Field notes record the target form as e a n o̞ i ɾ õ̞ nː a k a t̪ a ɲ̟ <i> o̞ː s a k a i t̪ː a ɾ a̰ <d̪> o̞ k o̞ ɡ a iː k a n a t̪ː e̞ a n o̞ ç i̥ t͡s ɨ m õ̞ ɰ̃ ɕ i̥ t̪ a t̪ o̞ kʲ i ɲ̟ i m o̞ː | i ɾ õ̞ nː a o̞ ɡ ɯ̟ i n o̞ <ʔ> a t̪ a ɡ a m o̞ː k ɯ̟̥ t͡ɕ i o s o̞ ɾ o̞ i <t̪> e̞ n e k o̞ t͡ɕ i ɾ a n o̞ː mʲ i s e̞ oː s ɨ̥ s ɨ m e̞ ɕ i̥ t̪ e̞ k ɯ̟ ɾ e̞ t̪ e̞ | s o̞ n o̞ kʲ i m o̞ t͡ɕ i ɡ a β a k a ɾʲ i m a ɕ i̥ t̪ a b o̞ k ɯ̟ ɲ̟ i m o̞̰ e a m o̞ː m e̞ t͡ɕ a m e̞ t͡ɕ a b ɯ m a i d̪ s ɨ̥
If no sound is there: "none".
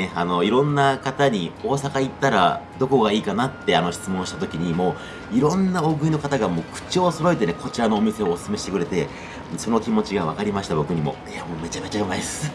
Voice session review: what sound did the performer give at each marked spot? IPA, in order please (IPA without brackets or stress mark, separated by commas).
i, d̪, k, t̪